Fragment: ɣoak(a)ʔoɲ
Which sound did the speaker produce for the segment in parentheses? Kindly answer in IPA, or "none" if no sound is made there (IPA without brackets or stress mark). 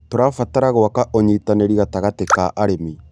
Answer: a